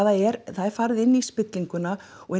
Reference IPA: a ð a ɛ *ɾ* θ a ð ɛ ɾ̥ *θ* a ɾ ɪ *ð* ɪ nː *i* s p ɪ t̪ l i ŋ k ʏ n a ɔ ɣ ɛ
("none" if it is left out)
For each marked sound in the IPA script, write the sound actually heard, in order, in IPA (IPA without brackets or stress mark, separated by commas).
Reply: ɾ, f, ð, i